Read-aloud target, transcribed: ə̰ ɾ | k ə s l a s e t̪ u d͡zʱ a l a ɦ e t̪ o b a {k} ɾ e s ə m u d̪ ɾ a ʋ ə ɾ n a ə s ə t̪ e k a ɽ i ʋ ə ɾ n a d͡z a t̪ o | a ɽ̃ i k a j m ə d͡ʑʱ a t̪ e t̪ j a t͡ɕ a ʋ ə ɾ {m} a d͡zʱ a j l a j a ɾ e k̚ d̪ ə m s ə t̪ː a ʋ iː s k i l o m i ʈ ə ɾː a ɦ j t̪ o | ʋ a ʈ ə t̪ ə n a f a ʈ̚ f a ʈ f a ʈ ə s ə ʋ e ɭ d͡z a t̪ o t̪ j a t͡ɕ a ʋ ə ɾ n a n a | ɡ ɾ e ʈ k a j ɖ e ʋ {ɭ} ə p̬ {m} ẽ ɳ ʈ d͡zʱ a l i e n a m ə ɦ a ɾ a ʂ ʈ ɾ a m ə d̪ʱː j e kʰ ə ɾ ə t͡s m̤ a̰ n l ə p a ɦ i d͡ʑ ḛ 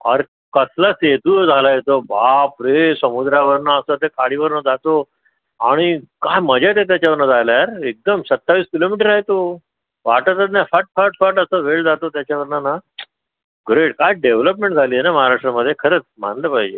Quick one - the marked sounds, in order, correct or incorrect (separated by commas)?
incorrect, incorrect, incorrect, correct